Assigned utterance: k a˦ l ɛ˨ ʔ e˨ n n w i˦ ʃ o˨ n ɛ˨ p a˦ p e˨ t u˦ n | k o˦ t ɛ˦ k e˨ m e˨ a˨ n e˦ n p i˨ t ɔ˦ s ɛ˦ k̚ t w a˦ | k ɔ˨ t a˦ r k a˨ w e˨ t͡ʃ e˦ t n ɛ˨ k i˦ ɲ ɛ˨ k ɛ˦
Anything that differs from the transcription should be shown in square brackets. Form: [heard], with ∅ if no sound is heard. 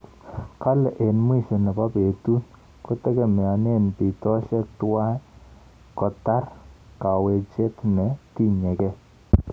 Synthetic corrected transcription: k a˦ l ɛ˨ ʔ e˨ n [m] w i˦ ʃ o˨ n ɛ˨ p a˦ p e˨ t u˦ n | k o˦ t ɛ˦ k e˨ m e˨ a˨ n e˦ n p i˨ t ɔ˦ [ʃ] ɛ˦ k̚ t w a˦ | k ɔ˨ t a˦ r k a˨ w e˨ t͡ʃ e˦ t n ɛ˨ [t] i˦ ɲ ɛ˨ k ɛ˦